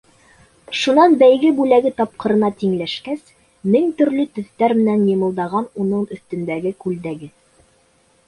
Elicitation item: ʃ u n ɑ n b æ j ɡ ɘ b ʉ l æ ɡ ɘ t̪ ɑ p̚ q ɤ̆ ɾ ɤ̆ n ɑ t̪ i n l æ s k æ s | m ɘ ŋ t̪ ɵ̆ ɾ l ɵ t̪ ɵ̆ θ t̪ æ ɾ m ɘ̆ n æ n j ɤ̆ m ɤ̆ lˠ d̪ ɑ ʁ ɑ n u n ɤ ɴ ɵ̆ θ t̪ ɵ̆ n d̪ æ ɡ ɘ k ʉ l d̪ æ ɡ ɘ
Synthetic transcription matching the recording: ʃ u n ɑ n b æ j ɡ ɘ b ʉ l æ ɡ ɘ t̪ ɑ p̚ q ɤ̆ ɾ ɤ̆ n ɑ t̪ i ŋ l æ ʃ k æ s | m ɘ ŋ t̪ ɵ̆ ɾ l ɵ t̪ ɵ̆ θ t̪ æ ɾ m ɘ̆ n æ n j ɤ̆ m ɤ̆ lˠ d̪ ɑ ʁ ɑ n u n ɤ ɴ ɵ̆ θ t̪ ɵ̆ n d̪ æ ɡ ɘ k ʉ l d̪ æ ɡ ɘ